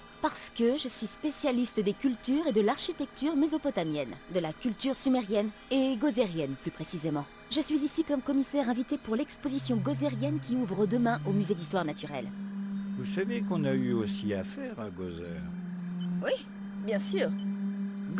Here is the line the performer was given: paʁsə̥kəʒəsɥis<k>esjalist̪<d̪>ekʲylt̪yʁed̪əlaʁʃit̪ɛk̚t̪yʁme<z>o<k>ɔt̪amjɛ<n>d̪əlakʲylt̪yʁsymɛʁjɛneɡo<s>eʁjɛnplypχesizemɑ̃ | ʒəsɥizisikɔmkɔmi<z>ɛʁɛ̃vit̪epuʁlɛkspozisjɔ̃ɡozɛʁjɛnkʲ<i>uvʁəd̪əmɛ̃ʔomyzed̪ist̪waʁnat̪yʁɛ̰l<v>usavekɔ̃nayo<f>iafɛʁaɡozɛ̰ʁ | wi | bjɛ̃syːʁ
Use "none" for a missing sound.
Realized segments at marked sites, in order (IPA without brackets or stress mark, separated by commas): p, d̪, z, p, n, z, s, i, v, s